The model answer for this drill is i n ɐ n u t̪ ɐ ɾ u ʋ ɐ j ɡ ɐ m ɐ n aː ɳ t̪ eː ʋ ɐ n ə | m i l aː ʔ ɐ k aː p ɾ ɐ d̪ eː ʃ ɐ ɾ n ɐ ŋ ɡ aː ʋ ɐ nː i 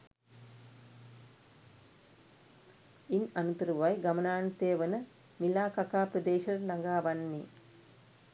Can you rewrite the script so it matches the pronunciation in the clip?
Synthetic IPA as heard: i n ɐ n u t̪ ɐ ɾ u ʋ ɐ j ɡ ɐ m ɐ n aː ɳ t̪ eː ʋ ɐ n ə | m i l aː k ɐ k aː p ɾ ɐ d̪ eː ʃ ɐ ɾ n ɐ ŋ ɡ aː ʋ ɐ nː i